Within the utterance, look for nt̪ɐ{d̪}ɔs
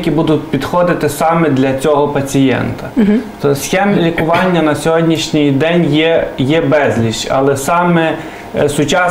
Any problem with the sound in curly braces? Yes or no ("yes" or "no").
yes